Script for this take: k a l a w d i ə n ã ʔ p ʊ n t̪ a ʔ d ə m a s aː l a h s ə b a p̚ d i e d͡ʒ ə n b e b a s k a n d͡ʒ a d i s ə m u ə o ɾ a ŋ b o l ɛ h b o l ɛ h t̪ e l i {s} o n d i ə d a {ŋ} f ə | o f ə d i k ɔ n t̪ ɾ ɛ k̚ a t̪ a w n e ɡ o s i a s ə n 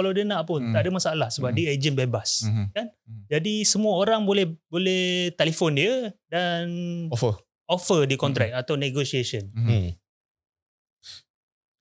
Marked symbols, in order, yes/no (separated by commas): no, no